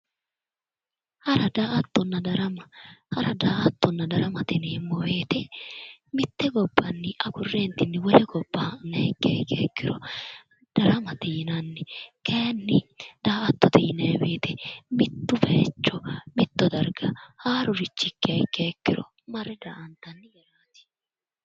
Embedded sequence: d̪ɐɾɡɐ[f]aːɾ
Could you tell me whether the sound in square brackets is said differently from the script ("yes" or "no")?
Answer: yes